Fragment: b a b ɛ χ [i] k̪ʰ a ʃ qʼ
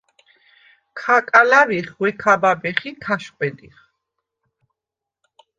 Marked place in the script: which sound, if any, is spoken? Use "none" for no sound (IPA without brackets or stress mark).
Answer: i